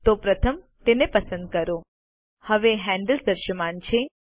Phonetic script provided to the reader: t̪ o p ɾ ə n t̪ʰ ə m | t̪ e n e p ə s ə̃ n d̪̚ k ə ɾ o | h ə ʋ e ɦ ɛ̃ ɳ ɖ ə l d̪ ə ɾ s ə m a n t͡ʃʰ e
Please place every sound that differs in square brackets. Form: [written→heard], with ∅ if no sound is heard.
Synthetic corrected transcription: t̪ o p ɾ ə [n→∅] t̪ʰ ə m | t̪ e n e p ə s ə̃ n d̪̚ k ə ɾ o | h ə ʋ e ɦ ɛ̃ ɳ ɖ ə l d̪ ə ɾ [s→ʃ] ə m a n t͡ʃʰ e